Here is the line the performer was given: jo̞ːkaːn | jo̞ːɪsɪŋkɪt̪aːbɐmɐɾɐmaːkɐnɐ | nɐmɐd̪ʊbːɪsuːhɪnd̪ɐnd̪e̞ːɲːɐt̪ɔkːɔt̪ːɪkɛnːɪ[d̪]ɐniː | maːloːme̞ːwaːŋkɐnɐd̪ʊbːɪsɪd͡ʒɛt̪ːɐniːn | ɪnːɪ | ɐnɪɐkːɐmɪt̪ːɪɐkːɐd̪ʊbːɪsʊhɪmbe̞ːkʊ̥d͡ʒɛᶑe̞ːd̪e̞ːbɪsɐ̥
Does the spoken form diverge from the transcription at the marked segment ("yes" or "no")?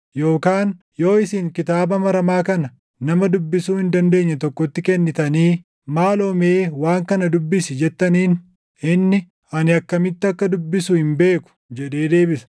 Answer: yes